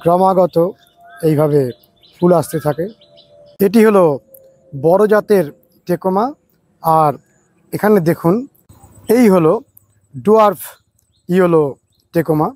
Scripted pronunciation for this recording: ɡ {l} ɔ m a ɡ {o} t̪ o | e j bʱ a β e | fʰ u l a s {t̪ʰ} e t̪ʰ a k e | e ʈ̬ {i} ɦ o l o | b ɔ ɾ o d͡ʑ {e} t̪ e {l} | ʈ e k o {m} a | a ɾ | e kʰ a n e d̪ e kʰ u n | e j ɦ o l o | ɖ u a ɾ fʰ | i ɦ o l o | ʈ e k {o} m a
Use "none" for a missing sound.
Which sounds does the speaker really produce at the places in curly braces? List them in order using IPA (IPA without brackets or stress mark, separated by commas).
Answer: ɾ, ɔ, t̪, i, a, ɾ, m, o